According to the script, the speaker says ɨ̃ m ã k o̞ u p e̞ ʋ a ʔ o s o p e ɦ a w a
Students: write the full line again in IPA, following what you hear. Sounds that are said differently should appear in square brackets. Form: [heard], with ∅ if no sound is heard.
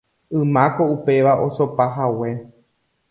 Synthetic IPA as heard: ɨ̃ m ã k o̞ u p e̞ ʋ a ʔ o s o p [a] ɦ a w [e]